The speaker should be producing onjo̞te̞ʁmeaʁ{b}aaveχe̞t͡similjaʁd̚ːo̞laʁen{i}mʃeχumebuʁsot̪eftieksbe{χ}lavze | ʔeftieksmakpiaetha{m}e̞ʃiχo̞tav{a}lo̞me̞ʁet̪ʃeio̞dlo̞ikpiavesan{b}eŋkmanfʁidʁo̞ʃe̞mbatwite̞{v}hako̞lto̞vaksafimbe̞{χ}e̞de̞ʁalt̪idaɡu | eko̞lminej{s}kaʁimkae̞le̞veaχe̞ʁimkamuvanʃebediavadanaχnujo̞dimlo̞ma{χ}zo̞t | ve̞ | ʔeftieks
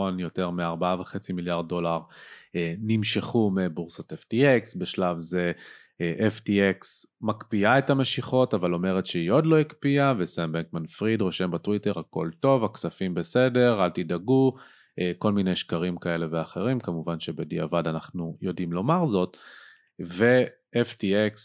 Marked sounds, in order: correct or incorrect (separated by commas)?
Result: correct, correct, incorrect, correct, correct, correct, incorrect, incorrect, incorrect, incorrect